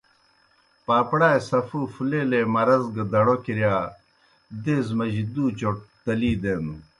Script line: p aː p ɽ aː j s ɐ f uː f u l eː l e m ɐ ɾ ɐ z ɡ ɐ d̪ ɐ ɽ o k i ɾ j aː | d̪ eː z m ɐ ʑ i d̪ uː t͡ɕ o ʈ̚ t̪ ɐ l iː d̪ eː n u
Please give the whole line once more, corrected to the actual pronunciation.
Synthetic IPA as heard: p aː p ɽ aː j s ɐ f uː f u l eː l e m ɐ ɾ ɐ z ɡ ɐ d̪ ɐ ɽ o k i ɾ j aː | d̪ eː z m ɐ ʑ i d̪ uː t͡ɕ o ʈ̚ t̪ ɐ l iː d̪ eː n u